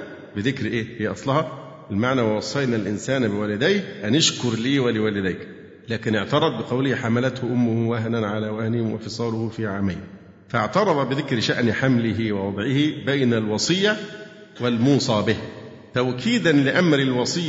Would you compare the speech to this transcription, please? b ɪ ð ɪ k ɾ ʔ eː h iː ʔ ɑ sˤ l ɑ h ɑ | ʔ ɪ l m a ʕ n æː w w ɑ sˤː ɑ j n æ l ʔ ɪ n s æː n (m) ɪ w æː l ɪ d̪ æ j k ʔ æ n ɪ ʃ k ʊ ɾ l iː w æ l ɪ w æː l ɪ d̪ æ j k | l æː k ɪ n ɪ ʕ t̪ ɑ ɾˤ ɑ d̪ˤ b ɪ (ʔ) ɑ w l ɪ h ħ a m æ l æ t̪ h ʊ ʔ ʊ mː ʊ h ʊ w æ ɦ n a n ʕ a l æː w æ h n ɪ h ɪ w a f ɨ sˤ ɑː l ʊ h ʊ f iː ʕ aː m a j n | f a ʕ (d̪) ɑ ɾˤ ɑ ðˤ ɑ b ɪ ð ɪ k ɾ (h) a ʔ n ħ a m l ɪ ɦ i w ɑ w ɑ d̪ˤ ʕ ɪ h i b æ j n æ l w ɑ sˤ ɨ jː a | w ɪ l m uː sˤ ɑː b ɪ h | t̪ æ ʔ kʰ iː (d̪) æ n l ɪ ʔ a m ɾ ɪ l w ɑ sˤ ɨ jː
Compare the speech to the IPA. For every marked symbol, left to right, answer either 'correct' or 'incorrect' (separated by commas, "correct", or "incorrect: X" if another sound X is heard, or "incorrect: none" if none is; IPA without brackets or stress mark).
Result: incorrect: b, incorrect: q, incorrect: t̪, incorrect: ʃ, correct